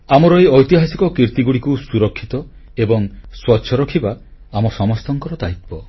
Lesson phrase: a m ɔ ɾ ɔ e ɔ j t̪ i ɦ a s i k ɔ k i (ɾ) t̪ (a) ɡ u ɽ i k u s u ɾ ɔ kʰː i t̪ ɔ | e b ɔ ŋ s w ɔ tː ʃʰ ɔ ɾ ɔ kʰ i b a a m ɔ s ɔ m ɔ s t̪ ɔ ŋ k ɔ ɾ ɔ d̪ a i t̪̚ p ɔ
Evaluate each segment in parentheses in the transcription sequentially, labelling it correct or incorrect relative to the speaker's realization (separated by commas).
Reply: correct, incorrect